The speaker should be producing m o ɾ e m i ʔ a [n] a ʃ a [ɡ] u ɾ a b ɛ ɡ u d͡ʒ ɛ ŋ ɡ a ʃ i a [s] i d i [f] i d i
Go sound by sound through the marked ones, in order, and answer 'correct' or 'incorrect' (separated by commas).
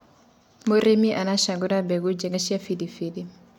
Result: correct, correct, incorrect, correct